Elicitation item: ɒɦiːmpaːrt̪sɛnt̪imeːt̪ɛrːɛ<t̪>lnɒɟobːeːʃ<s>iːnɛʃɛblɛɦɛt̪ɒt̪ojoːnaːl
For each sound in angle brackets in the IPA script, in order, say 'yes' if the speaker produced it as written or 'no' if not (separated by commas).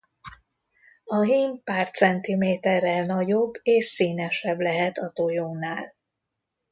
no, yes